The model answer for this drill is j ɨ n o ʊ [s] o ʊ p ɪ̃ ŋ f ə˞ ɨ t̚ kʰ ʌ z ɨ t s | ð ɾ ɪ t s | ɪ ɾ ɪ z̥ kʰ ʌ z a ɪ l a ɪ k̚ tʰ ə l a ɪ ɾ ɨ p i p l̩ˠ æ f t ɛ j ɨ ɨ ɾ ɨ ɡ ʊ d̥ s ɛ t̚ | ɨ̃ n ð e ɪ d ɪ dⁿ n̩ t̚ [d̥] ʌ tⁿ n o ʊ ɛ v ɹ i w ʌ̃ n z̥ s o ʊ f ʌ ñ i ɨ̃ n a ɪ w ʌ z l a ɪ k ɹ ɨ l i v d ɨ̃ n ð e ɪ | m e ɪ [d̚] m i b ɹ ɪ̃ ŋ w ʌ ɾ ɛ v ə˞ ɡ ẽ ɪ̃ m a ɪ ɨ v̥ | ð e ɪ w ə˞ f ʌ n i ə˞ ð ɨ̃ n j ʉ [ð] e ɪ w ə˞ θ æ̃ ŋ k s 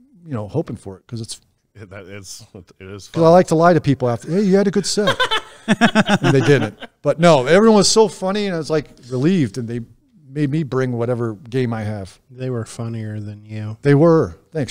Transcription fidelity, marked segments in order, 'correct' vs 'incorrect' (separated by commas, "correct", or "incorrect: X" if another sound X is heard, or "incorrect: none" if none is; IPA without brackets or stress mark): incorrect: h, incorrect: b̥, correct, correct